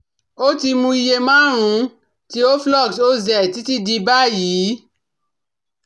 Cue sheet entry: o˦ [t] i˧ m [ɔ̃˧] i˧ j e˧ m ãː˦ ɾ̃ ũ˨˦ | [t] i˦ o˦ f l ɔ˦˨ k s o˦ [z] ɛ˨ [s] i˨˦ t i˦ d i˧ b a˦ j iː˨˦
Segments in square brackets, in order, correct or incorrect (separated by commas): correct, incorrect, correct, correct, incorrect